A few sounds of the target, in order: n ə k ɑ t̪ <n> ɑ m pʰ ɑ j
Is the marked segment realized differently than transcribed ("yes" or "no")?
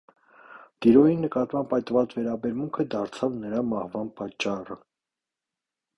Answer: yes